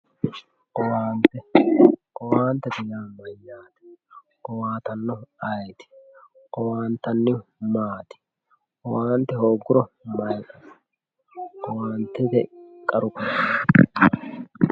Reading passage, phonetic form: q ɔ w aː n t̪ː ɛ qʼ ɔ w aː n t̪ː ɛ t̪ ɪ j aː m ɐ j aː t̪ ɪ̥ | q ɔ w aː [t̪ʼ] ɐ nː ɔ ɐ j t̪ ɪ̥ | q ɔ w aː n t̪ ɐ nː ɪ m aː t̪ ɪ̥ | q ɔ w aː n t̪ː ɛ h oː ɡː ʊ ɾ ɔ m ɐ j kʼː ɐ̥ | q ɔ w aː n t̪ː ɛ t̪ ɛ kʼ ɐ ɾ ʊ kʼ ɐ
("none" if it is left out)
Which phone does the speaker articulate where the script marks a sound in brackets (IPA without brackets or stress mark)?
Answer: t̪